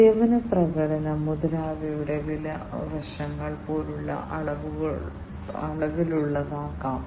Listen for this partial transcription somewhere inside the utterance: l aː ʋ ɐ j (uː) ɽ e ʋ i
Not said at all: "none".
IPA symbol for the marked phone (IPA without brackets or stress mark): u